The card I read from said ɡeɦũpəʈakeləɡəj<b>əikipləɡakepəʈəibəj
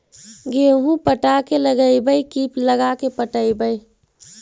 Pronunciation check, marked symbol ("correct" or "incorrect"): correct